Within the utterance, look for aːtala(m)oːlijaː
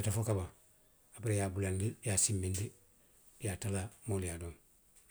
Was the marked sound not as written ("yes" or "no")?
no